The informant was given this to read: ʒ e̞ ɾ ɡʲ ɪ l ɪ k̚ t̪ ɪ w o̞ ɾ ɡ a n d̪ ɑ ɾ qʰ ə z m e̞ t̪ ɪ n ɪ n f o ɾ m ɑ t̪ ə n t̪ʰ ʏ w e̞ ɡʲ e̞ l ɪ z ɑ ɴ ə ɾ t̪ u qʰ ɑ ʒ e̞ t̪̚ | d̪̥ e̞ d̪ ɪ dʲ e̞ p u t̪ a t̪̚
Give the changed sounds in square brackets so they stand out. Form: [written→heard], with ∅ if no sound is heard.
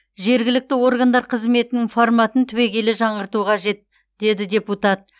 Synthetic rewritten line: ʒ e̞ ɾ ɡʲ ɪ l ɪ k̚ t̪ ɪ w o̞ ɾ ɡ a n d̪ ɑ ɾ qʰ ə z m e̞ t̪ ɪ n ɪ [n→ŋ] f o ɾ m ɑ t̪ ə n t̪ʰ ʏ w e̞ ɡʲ e̞ l ɪ [z→ʒ] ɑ ɴ ə ɾ t̪ u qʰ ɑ ʒ e̞ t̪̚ | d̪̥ e̞ d̪ ɪ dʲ e̞ p u t̪ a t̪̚

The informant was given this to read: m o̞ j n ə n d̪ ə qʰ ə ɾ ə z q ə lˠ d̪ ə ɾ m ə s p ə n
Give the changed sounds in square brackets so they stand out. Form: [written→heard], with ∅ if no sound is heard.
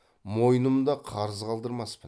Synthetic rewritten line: m o̞ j n ə [n→m] d̪ [ə→ɑ] qʰ [ə→ɑ] ɾ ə z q [ə→ɑ] lˠ d̪ ə ɾ m [ə→ɑ] s p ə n

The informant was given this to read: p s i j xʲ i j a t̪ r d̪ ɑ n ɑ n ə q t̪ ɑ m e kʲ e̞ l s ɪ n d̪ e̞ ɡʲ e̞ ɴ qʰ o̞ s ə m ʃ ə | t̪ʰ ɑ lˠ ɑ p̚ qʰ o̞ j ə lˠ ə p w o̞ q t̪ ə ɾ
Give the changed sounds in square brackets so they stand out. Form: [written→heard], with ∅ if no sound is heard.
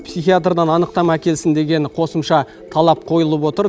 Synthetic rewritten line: p s i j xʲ i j a t̪ r d̪ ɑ n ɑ n ə q t̪ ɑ m [e→æ] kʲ e̞ l s ɪ n d̪ e̞ ɡʲ e̞ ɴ qʰ o̞ s ə m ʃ [ə→ɑ] | t̪ʰ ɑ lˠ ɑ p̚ qʰ o̞ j ə lˠ ə p w o̞ [q→∅] t̪ ə ɾ

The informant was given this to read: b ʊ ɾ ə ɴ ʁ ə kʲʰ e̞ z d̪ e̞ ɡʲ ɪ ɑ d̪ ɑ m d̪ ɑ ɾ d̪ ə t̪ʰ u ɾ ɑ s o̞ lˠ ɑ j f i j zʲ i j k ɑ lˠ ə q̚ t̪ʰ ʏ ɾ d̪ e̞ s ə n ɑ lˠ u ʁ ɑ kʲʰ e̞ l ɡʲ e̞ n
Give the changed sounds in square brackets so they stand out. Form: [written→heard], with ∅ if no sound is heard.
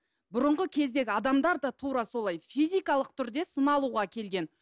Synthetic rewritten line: b ʊ ɾ ə ɴ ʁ ə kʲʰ e̞ z d̪ e̞ ɡʲ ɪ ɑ d̪ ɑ m d̪ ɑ ɾ d̪ [ə→ɑ] t̪ʰ u ɾ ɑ s o̞ lˠ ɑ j f i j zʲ i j k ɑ lˠ ə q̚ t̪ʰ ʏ ɾ d̪ e̞ s ə n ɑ lˠ u ʁ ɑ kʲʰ e̞ l ɡʲ e̞ n

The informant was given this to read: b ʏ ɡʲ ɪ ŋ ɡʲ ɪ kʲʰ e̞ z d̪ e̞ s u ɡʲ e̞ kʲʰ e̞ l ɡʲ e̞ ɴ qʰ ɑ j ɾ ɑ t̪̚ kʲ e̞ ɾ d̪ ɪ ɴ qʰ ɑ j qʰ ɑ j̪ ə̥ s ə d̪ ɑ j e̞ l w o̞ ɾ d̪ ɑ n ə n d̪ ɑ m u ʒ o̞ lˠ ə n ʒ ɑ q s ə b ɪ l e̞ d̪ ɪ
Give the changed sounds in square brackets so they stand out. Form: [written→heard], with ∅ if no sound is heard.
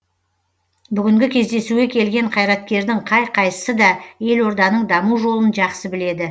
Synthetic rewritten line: b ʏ ɡʲ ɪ ŋ ɡʲ ɪ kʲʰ e̞ z d̪ e̞ s u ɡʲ e̞ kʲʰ e̞ l ɡʲ e̞ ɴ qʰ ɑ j ɾ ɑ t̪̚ kʲ e̞ ɾ d̪ ɪ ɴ qʰ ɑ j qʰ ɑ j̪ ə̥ s ə d̪ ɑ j e̞ l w o̞ ɾ d̪ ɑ n ə [n→ɴ] d̪ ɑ m u ʒ o̞ lˠ ə n ʒ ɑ q s ə b ɪ l e̞ d̪ ɪ

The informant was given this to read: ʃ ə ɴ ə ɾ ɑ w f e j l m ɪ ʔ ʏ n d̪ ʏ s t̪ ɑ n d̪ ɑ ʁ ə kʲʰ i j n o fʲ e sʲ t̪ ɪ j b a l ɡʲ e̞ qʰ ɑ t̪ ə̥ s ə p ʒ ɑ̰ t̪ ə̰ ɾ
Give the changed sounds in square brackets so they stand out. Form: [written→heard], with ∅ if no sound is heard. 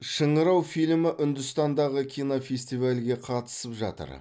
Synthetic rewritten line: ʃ ə ɴ ə ɾ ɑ w f [e→i] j l m ɪ ʔ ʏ n d̪ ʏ s t̪ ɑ n d̪ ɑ ʁ ə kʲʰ i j n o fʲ e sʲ t̪ [ɪ→i] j [b→v] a l ɡʲ e̞ qʰ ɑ t̪ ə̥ s ə p ʒ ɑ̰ t̪ ə̰ ɾ

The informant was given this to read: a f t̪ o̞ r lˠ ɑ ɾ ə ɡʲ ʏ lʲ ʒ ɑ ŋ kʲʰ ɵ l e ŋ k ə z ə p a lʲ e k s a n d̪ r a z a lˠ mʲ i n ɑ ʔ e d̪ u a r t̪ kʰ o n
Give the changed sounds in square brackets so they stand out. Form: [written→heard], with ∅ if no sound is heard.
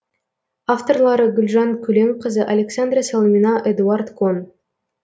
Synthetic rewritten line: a f t̪ o̞ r lˠ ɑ ɾ ə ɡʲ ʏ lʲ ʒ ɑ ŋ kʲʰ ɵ l e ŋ [k→q] ə z ə [p→ʔ] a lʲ e k s a n d̪ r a [z→s] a lˠ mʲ i n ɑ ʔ e d̪ u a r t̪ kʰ o n

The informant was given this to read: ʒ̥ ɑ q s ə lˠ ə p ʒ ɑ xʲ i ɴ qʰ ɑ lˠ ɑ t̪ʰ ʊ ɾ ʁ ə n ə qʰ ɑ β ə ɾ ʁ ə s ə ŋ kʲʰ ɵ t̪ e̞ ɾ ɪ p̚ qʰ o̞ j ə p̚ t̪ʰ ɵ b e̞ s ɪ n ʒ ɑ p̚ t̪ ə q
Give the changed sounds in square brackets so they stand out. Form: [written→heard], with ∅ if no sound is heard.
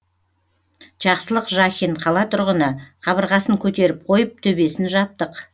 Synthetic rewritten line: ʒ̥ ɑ q s ə lˠ ə [p→q] ʒ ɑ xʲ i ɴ qʰ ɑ lˠ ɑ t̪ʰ ʊ ɾ ʁ ə n ə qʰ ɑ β ə ɾ ʁ [ə→ɑ] s ə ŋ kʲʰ ɵ t̪ e̞ ɾ ɪ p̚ qʰ o̞ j ə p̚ t̪ʰ ɵ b e̞ s ɪ n ʒ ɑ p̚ t̪ ə q

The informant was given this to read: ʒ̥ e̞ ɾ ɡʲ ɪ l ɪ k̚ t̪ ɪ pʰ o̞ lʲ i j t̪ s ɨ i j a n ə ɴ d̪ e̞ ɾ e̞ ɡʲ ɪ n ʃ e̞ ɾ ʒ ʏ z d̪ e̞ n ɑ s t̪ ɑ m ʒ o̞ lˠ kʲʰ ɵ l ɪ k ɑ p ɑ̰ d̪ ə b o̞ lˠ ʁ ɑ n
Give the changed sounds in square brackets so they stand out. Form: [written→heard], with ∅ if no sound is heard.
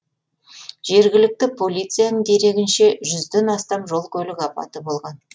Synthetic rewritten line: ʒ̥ e̞ ɾ ɡʲ ɪ l ɪ k̚ t̪ ɪ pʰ o̞ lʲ i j t̪ s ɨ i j a n ə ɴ d̪ e̞ ɾ e̞ ɡʲ ɪ n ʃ e̞ [ɾ→∅] ʒ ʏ z d̪ e̞ n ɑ s t̪ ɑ m ʒ o̞ lˠ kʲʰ ɵ l ɪ k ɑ p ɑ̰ [d̪→t̪] ə b o̞ lˠ ʁ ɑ n

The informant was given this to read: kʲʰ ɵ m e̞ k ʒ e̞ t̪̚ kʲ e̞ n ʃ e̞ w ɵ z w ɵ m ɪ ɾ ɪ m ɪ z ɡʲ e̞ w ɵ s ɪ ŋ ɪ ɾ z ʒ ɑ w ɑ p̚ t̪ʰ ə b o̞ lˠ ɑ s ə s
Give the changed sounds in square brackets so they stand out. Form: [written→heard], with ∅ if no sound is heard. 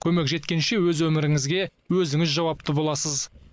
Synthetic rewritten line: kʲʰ ɵ m e̞ k ʒ e̞ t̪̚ kʲ e̞ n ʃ e̞ w ɵ z w ɵ m ɪ ɾ ɪ [m→ŋ] ɪ z ɡʲ e̞ w ɵ [s→z] ɪ ŋ ɪ [ɾ→∅] z ʒ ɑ w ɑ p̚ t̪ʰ ə b o̞ lˠ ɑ s ə [s→z]

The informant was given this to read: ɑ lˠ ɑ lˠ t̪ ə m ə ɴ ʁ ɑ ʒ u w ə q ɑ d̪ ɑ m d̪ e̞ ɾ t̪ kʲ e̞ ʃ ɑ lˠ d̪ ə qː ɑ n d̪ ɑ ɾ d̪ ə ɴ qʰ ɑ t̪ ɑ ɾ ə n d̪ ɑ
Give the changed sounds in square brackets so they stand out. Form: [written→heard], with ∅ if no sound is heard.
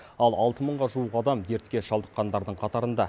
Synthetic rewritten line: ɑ lˠ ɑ lˠ t̪ ə m ə ɴ ʁ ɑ ʒ u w ə q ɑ d̪ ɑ m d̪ e̞ ɾ t̪ kʲ e̞ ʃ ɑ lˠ d̪ ə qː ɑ n d̪ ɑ ɾ d̪ ə ɴ qʰ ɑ t̪ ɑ ɾ ə n d̪ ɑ

